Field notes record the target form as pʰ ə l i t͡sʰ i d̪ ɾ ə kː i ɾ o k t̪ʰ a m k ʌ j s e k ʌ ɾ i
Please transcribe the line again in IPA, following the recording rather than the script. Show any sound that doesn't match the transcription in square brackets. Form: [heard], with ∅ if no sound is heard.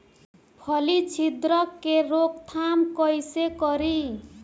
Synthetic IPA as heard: pʰ [ʌ] l i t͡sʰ i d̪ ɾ [ʌ] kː [e] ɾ o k t̪ʰ a m k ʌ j s e k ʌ ɾ i